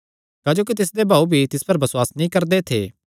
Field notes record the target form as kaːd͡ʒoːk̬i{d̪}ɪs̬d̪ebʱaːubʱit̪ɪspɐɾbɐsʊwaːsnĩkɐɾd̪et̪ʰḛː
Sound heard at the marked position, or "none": t̪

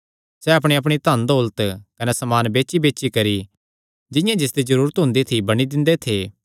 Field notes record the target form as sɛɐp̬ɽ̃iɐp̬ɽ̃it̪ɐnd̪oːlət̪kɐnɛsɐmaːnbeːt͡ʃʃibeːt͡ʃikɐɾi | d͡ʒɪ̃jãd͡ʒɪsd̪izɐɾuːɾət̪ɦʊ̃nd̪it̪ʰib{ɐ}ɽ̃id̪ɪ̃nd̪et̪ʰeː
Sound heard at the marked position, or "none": ɐ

